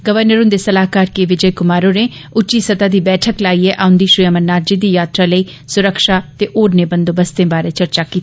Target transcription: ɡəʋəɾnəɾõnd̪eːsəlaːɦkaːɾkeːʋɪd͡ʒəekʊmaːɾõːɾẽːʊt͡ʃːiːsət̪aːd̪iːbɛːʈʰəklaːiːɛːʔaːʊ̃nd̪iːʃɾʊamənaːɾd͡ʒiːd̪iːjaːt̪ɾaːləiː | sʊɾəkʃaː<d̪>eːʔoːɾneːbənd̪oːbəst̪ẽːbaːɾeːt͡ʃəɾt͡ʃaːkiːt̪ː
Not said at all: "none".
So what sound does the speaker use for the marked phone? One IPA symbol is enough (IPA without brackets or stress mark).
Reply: t̪